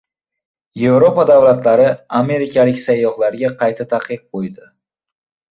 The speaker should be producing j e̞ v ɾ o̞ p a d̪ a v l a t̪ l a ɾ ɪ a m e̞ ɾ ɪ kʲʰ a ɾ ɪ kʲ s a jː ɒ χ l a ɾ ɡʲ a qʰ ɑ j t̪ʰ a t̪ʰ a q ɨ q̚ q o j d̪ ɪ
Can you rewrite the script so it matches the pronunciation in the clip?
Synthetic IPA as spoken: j e̞ v ɾ o̞ p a d̪ a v l a t̪ l a ɾ ɪ a m e̞ ɾ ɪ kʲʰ a l ɪ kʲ s a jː ɒ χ l a ɾ ɡʲ a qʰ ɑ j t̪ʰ a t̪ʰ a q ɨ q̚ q o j d̪ ɪ